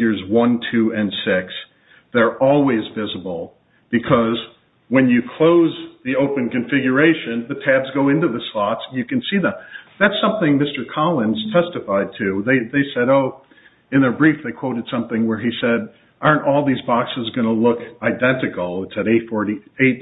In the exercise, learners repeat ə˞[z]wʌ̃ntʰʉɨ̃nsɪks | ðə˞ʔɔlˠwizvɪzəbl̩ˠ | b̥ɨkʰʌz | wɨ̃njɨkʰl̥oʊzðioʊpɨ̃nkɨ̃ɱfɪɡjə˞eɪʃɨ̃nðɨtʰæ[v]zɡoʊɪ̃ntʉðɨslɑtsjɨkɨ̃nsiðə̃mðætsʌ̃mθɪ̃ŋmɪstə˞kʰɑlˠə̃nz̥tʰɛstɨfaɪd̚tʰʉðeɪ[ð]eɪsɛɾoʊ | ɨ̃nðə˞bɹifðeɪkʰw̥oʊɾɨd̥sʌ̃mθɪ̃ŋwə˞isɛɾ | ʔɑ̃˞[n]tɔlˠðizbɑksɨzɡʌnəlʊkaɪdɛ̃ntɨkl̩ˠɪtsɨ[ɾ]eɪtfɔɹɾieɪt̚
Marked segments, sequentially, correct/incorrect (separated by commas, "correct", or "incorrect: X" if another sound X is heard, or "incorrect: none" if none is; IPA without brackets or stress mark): correct, incorrect: b, correct, correct, correct